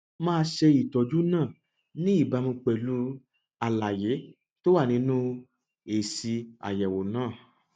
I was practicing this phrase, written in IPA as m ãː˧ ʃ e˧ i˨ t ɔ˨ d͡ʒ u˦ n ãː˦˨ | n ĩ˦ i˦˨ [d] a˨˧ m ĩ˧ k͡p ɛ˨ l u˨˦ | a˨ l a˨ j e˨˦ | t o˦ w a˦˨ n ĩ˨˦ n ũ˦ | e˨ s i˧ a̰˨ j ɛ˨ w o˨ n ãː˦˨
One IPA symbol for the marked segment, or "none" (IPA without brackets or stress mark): b